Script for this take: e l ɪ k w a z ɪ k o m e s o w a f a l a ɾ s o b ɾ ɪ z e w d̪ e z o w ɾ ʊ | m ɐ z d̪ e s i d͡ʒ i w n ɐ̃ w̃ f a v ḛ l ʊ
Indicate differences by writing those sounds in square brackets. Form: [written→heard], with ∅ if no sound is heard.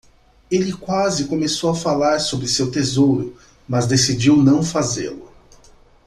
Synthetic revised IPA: e l ɪ k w a z ɪ k o m e s o w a f a l a ɾ s o b ɾ ɪ [z→s] e w [d̪→t̪] e z o w ɾ ʊ | m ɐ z d̪ e s i d͡ʒ i w n ɐ̃ w̃ f a [v→z] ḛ l ʊ